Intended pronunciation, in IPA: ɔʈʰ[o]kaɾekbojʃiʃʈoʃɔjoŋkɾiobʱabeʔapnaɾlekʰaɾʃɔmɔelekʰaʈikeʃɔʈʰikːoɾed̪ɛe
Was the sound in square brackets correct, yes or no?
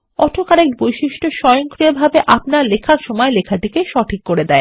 yes